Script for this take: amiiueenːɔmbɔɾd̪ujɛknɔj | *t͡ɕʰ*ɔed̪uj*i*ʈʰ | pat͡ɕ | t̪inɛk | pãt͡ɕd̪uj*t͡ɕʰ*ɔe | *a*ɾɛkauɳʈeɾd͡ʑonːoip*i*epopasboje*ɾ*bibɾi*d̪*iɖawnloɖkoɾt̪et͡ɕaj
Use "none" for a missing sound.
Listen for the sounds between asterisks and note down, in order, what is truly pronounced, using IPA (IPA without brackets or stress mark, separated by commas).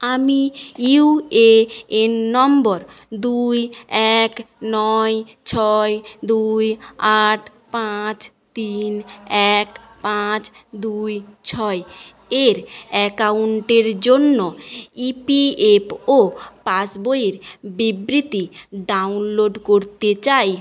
t͡ɕʰ, a, t͡ɕʰ, e, i, ɾ, t̪